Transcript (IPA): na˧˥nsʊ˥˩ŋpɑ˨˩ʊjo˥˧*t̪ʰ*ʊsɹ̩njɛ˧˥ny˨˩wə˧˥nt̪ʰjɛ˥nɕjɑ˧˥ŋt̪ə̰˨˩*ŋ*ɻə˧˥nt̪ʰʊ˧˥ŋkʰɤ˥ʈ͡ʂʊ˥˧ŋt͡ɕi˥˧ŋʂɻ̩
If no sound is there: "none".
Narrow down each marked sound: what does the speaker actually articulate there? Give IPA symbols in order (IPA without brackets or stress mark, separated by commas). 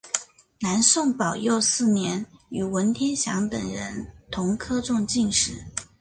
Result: none, ŋ